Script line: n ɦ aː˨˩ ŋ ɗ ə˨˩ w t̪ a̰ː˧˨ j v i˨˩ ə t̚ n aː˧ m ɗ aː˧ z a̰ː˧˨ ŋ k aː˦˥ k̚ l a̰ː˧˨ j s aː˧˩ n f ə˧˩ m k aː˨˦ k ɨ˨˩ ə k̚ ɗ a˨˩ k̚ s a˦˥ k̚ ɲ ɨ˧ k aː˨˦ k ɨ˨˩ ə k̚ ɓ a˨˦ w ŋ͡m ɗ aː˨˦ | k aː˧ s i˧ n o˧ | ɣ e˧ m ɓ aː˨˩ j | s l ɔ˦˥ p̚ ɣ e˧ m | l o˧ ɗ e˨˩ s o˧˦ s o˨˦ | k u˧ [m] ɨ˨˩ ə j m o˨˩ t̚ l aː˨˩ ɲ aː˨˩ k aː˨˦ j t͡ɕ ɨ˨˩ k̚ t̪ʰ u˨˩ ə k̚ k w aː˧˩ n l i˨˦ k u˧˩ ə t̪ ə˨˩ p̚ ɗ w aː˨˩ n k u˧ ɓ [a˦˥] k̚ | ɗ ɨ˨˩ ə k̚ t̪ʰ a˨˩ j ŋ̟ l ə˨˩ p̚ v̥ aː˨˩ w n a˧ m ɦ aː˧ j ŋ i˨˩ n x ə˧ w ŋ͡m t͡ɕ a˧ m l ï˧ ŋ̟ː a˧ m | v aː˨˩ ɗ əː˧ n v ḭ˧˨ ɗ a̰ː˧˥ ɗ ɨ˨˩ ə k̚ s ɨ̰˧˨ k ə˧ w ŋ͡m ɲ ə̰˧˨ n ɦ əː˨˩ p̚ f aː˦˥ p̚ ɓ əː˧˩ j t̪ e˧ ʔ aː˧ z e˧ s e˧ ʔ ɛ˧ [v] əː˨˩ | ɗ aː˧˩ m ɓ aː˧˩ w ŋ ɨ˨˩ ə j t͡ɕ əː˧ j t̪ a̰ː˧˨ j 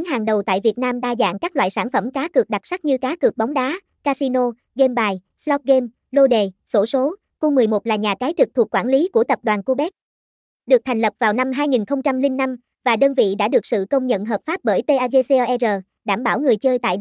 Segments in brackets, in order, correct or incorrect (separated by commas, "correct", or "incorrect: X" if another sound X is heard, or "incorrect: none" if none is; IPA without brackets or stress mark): correct, incorrect: ɛ˦˥, incorrect: z